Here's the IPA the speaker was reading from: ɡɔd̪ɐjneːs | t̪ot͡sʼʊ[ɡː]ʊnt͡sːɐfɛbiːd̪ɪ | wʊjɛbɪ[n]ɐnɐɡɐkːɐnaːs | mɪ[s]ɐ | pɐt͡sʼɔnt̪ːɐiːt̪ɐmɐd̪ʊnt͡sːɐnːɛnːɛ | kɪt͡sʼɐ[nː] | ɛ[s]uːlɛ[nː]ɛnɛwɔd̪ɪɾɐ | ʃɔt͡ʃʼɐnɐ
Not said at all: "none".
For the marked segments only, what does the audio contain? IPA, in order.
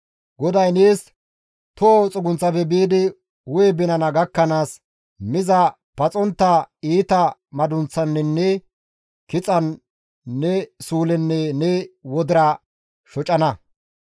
ɡ, n, z, nː, s, nː

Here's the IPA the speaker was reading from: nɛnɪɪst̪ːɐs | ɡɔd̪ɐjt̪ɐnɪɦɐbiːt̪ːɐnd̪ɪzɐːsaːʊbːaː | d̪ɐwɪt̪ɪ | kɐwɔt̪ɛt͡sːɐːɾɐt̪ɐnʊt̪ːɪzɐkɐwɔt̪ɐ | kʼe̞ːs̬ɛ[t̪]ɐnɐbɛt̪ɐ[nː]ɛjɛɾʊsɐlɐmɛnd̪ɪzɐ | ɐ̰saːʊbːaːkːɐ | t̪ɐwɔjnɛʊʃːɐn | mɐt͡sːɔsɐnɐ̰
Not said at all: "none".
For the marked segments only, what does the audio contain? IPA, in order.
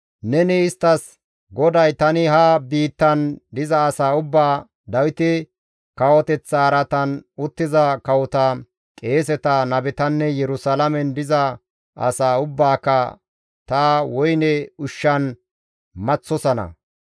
t̪, nː

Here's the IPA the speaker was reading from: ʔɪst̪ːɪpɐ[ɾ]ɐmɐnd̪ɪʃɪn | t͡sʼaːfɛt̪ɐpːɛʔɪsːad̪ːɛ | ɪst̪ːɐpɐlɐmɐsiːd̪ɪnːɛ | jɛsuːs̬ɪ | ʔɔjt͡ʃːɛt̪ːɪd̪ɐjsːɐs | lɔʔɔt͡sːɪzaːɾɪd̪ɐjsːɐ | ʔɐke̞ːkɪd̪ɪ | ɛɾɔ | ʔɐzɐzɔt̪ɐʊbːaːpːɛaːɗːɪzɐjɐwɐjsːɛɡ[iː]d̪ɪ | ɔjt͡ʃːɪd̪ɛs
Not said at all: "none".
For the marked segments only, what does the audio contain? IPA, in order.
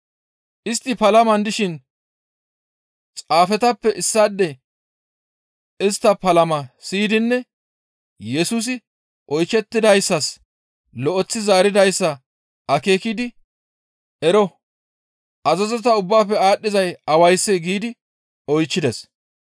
l, iː

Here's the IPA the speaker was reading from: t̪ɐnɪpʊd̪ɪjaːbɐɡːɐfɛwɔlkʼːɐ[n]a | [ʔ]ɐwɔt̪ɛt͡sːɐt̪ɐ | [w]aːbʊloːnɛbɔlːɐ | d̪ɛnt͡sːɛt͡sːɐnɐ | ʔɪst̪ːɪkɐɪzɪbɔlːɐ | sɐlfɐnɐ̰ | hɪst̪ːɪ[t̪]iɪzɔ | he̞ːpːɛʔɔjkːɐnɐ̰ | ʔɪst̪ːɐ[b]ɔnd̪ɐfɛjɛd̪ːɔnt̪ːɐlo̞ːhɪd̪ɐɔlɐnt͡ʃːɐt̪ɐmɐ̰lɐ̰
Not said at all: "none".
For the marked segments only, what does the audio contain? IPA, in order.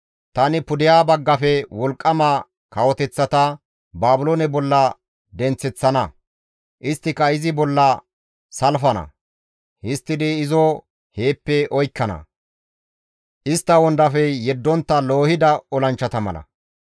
m, k, b, d̪, w

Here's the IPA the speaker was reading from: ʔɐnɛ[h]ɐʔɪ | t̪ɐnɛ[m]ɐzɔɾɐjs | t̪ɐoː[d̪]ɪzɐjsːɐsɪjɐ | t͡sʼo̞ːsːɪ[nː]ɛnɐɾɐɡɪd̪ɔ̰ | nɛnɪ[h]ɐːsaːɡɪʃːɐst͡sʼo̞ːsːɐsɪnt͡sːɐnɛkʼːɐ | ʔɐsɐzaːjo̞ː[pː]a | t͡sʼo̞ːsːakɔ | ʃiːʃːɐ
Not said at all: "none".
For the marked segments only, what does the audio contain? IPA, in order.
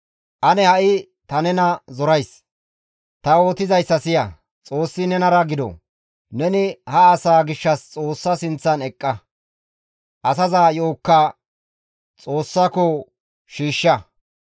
h, n, t̪, n, h, kː

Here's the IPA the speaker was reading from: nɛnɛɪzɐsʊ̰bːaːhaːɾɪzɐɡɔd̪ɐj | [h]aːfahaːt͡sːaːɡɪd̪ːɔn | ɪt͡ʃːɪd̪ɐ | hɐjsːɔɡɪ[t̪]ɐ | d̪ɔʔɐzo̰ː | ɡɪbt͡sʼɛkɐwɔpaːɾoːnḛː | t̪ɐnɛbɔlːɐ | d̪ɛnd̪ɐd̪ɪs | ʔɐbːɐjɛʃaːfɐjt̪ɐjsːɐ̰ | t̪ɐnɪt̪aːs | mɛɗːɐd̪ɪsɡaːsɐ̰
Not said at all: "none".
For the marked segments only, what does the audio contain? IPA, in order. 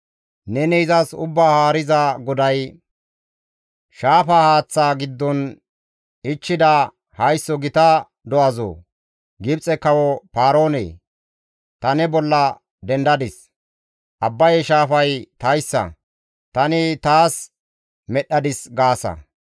ʃ, t̪

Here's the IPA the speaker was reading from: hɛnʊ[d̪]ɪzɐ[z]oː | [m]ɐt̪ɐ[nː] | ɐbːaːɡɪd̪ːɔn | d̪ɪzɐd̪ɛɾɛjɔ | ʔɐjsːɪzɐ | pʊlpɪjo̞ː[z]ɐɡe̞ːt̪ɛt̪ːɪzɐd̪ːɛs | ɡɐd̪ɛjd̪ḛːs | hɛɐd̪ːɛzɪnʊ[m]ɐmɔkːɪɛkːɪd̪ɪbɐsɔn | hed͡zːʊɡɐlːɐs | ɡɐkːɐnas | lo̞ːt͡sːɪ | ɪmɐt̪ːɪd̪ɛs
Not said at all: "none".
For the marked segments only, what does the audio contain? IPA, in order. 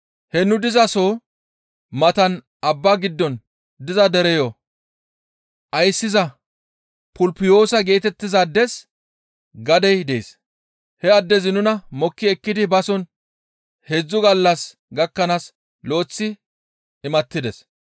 d̪, s, m, n, s, n

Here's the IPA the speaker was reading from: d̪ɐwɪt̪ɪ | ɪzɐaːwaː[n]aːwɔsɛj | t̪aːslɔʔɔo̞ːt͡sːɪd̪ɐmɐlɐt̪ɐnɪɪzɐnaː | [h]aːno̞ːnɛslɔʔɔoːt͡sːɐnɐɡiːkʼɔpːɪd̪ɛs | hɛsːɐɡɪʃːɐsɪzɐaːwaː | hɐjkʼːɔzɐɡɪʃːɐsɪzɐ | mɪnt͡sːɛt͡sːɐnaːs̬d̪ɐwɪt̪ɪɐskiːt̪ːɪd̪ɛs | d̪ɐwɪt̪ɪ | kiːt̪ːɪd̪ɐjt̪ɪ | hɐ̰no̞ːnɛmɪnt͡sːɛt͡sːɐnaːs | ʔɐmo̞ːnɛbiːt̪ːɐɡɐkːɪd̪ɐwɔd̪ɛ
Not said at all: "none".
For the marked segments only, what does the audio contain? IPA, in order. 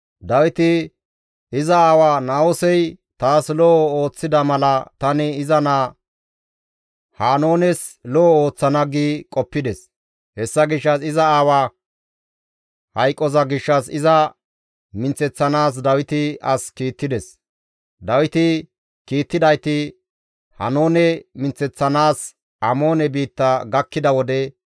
n, h

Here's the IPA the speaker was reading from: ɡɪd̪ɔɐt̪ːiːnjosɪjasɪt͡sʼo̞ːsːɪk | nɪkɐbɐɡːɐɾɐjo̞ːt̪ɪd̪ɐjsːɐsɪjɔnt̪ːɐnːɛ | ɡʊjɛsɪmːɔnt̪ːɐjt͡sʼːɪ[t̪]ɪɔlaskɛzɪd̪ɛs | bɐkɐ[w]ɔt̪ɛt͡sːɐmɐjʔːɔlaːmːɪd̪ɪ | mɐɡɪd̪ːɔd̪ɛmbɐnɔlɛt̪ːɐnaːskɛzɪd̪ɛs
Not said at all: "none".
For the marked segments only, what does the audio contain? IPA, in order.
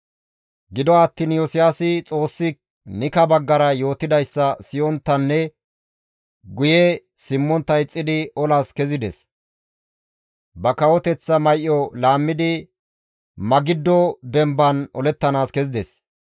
d̪, w

